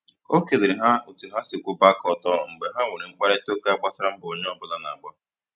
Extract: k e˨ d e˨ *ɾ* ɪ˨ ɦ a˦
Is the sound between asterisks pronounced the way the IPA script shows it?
yes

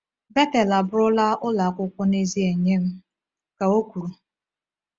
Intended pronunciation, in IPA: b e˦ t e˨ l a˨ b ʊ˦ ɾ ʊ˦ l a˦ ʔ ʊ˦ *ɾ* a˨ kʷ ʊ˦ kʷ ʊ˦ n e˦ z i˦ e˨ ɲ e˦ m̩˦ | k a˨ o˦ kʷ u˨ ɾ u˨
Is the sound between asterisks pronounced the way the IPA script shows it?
no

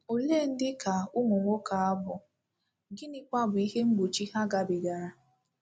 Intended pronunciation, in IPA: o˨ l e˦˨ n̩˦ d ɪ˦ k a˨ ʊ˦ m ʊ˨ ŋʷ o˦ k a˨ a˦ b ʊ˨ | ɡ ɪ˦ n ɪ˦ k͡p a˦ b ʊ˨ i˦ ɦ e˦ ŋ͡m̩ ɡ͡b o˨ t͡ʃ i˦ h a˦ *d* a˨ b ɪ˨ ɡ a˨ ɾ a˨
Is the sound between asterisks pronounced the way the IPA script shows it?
no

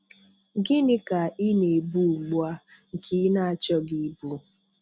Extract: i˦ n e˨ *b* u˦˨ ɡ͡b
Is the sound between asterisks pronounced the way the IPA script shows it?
yes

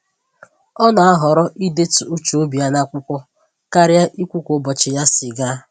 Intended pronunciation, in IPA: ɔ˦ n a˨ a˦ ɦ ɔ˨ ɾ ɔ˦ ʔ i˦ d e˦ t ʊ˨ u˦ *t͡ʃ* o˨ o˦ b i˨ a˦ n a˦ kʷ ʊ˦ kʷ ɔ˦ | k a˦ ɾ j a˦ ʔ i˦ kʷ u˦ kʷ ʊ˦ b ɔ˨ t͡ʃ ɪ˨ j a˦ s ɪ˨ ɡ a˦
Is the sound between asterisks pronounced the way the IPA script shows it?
yes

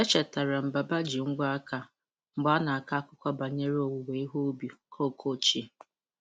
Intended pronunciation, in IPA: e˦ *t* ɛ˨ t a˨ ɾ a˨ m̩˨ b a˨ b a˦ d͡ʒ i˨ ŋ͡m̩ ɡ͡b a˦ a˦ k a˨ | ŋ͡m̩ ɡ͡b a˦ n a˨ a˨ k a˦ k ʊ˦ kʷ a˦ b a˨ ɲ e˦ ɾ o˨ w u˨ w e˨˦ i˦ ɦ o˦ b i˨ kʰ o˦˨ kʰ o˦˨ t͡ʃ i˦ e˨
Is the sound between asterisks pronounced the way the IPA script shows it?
no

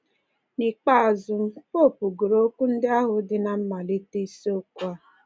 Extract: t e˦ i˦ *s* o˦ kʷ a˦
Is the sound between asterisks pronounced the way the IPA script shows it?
yes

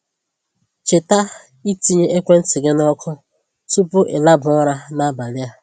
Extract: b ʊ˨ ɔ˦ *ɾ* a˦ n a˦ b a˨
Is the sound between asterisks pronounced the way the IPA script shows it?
yes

